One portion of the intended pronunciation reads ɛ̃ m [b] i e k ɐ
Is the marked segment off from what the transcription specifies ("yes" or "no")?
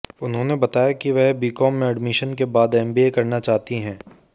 no